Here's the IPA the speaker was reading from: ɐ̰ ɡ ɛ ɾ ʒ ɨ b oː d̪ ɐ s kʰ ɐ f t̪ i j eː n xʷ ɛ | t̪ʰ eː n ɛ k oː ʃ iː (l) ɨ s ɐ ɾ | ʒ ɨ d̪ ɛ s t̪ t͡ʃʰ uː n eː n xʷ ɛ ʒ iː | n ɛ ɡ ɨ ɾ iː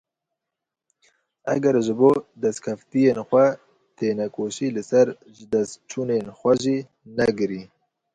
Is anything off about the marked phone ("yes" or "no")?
no